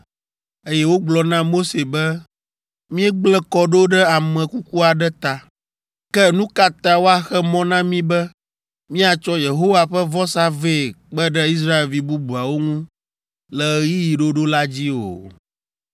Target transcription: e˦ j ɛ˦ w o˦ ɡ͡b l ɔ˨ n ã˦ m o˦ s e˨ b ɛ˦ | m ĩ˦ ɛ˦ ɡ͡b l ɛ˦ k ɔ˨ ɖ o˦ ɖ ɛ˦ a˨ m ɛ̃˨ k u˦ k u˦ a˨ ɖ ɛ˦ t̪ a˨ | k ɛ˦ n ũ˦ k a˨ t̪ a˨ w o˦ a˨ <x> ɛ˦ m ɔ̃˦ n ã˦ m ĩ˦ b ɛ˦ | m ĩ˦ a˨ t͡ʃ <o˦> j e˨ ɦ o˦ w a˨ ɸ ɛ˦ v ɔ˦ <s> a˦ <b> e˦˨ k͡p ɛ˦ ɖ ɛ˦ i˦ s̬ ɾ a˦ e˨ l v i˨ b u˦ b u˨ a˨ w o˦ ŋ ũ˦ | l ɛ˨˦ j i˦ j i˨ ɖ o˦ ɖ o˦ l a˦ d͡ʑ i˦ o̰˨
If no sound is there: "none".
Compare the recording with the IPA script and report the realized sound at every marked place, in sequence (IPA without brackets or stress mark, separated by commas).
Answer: x, ɔ˦, s, v